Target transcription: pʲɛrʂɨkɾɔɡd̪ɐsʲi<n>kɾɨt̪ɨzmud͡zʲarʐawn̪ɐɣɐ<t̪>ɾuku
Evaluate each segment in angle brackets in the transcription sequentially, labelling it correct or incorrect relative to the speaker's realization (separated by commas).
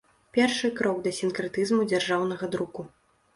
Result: correct, incorrect